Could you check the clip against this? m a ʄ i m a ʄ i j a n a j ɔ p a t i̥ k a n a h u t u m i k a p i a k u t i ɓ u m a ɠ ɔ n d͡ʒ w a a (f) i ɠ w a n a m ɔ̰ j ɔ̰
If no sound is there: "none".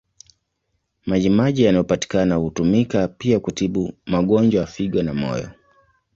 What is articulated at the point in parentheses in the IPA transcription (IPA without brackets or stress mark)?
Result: f